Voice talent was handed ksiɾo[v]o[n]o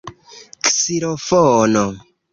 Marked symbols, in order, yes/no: no, yes

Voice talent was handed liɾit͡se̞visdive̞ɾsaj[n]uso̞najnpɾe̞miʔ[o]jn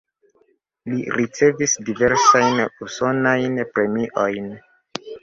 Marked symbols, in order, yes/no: yes, yes

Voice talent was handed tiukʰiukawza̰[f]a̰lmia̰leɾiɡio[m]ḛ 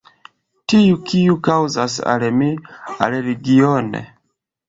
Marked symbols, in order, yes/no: no, no

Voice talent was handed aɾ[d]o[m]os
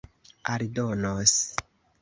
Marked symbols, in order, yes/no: yes, no

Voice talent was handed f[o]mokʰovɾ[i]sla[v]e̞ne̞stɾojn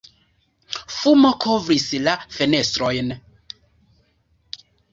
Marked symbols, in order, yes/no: no, yes, no

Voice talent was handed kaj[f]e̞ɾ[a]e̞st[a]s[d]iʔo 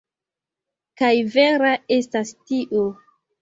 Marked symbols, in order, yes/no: no, yes, yes, no

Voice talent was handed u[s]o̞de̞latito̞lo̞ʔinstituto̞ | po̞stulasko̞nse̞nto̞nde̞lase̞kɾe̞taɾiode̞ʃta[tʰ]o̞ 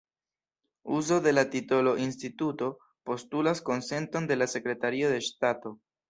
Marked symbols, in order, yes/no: no, no

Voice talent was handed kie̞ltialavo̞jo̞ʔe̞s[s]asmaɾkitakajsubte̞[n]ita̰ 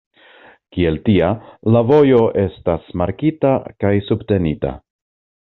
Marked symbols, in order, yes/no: no, yes

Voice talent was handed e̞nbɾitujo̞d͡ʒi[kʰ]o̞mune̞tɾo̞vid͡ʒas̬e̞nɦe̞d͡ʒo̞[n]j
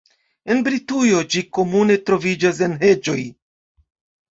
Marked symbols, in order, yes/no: no, no

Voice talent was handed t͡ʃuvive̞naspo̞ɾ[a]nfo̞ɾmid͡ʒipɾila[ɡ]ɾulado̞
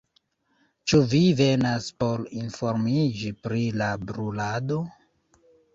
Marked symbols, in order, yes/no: no, no

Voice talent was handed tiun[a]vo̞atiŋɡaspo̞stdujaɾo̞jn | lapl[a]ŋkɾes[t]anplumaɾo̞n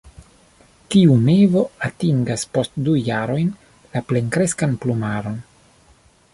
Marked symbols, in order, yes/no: no, no, no

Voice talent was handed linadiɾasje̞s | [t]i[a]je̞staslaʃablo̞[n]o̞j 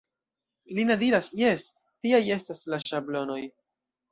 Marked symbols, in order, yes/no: yes, yes, yes

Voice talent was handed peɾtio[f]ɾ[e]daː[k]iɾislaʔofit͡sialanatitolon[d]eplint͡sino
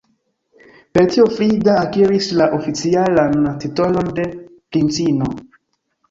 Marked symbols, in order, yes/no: yes, no, yes, yes

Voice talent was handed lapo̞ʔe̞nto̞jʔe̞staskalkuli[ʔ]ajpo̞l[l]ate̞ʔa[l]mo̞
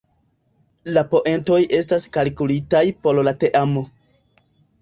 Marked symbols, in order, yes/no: no, yes, no

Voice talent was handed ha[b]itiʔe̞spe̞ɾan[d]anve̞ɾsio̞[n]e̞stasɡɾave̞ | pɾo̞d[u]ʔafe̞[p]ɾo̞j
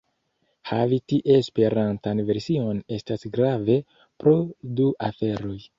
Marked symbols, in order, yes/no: no, no, yes, yes, no

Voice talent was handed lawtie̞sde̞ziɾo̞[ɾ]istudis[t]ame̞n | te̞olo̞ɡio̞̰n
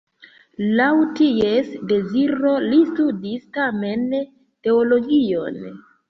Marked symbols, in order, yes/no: no, yes

